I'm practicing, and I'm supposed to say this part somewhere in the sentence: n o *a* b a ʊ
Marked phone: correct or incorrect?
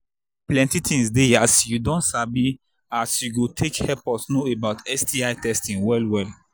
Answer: incorrect: e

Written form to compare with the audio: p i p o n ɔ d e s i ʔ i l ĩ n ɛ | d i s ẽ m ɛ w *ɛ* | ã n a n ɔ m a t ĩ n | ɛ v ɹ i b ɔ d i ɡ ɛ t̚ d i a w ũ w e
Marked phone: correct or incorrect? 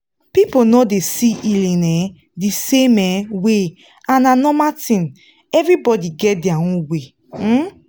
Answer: incorrect: e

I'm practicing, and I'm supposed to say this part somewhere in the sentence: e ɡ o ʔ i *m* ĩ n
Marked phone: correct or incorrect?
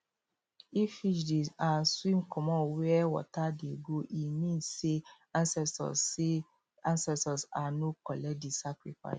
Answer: correct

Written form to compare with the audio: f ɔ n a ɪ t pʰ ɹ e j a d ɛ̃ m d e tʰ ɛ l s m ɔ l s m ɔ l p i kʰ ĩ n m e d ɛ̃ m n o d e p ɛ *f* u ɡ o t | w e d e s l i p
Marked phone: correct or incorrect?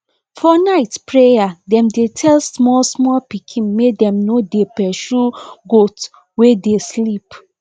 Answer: incorrect: ʃ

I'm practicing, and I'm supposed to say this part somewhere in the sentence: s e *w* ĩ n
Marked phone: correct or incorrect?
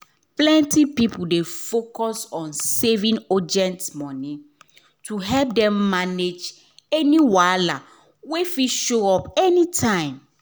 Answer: incorrect: v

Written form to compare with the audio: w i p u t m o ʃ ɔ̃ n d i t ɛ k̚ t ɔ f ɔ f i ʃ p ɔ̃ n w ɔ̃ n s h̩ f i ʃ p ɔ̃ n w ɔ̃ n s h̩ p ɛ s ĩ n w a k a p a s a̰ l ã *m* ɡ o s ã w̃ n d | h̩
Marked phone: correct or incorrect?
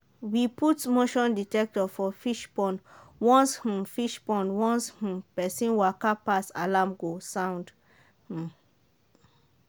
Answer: correct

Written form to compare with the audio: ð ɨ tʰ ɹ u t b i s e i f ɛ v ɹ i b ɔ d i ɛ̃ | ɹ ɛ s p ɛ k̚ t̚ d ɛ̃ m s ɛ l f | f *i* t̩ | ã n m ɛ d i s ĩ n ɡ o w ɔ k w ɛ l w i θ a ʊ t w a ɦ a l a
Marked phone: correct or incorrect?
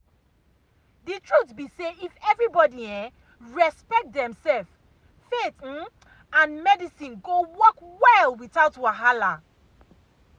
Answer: incorrect: e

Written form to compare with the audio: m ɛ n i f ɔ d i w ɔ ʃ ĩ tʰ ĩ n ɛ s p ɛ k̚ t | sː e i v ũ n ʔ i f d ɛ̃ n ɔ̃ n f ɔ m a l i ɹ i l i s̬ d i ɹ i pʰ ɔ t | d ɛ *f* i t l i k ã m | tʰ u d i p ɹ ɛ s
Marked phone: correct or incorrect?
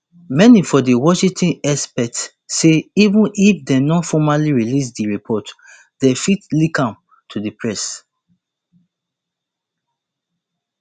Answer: correct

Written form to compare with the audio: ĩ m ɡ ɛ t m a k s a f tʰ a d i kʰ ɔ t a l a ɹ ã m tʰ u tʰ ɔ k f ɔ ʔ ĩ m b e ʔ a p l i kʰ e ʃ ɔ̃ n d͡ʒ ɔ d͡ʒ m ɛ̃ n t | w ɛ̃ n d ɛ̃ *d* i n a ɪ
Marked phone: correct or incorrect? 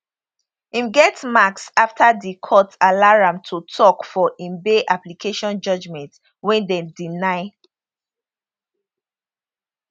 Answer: correct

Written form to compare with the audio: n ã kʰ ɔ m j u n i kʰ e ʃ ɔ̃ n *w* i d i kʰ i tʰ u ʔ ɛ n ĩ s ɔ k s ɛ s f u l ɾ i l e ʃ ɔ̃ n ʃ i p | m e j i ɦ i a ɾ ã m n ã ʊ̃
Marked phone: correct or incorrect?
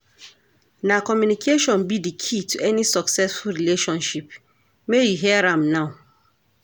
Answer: incorrect: b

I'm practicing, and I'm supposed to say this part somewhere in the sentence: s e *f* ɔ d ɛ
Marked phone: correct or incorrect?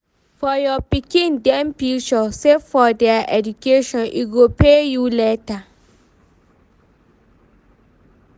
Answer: correct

